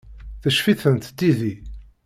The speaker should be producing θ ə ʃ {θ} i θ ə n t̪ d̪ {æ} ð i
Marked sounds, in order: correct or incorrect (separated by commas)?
incorrect, incorrect